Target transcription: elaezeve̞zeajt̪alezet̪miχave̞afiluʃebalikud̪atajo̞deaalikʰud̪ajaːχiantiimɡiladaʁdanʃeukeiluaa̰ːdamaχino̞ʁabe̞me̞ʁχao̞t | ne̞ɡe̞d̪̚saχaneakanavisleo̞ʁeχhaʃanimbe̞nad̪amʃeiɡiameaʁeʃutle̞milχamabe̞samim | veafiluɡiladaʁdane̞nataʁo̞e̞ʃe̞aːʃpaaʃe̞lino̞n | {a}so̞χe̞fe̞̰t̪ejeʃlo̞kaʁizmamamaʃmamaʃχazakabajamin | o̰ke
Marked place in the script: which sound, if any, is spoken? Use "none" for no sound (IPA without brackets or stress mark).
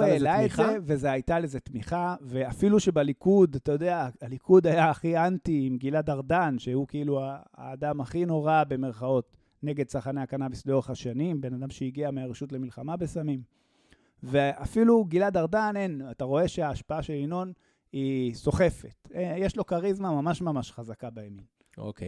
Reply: i